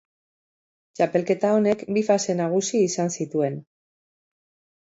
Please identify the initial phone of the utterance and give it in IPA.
t͡ʃ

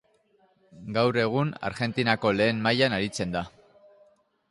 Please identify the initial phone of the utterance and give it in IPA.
ɡ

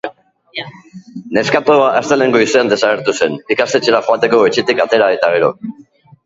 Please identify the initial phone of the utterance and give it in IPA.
n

